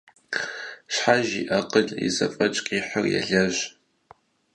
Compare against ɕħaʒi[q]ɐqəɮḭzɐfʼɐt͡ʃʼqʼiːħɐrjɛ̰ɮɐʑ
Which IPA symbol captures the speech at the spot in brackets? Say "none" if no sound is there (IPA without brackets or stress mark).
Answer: ʔ